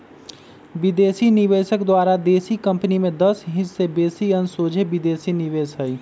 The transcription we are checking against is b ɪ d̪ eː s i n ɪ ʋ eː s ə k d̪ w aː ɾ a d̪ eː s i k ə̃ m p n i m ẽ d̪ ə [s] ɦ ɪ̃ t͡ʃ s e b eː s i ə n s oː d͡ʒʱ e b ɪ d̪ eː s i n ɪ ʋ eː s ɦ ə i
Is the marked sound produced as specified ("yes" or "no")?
yes